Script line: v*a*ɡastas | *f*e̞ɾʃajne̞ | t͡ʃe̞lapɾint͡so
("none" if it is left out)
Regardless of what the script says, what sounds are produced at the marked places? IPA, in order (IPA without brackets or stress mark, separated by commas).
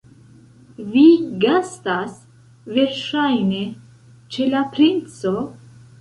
i, v